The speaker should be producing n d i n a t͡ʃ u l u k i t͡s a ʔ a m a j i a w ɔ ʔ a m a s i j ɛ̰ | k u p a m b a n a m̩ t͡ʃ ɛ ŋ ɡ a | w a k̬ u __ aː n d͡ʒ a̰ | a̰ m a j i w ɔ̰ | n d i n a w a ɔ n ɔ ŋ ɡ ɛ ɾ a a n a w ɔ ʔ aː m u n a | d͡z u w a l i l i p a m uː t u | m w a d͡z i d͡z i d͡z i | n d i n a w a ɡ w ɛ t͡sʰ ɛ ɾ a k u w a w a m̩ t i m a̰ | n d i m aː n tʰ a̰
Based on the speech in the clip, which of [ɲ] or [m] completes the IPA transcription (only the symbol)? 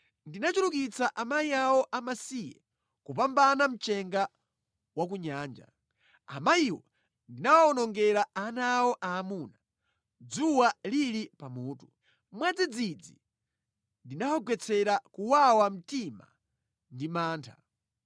ɲ